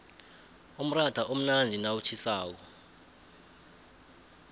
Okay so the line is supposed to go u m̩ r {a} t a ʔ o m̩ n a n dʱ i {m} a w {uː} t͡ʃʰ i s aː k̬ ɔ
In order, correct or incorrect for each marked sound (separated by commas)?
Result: correct, incorrect, incorrect